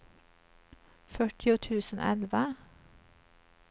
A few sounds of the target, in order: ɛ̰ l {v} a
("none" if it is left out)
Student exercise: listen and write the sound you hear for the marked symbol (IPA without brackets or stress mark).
ʋ